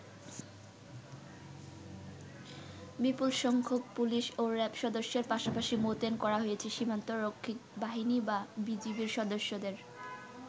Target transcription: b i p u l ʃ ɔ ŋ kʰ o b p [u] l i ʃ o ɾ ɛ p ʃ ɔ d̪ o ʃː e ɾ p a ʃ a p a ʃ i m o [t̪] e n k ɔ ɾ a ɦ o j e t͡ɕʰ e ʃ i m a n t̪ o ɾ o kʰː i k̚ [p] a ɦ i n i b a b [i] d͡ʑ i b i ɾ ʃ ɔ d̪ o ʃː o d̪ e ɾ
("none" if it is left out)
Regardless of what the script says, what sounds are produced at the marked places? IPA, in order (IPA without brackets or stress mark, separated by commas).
u, t̪, b, i